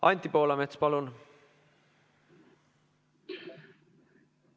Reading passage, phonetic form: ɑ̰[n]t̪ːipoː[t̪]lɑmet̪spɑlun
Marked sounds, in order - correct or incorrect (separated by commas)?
correct, incorrect